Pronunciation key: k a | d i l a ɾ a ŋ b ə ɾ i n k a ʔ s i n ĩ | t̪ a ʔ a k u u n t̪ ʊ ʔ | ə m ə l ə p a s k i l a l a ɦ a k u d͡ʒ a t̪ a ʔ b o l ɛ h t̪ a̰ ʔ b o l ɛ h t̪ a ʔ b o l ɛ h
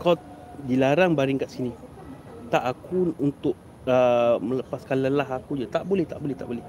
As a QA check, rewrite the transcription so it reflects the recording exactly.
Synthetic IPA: k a | d i l a ɾ a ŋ b a ɾ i ŋ k a ʔ s i n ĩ | t̪ a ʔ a k u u n t̪ ʊ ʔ | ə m ə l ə p a s k a l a l a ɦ a k u d͡ʒ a t̪ a ʔ b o l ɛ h t̪ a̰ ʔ b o l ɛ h t̪ a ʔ b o l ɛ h